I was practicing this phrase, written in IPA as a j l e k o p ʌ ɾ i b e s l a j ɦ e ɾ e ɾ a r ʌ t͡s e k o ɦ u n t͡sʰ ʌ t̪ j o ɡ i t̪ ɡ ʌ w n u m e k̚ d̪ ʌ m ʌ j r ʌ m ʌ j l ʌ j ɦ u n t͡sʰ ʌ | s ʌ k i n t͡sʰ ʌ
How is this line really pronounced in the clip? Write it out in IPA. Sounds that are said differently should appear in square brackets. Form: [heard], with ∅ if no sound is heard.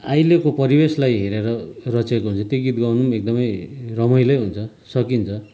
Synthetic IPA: a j l e k o p ʌ ɾ i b e s l a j ɦ e ɾ e ɾ [ʌ] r ʌ t͡s e k o ɦ u n t͡sʰ ʌ t̪ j o ɡ i t̪ ɡ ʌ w n u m e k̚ d̪ ʌ m ʌ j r ʌ m ʌ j l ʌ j ɦ u n t͡sʰ ʌ | s ʌ k i n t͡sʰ ʌ